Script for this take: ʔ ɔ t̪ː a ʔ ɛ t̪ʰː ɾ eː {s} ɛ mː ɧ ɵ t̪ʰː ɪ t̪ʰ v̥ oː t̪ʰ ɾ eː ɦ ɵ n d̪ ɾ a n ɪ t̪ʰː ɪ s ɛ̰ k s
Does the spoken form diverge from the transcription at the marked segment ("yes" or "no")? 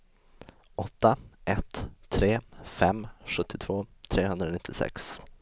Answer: yes